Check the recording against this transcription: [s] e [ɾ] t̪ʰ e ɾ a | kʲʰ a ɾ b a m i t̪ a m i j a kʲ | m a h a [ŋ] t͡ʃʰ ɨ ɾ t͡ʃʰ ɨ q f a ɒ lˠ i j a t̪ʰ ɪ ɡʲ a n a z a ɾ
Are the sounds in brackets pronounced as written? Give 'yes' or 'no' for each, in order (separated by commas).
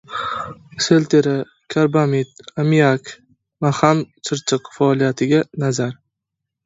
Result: yes, no, no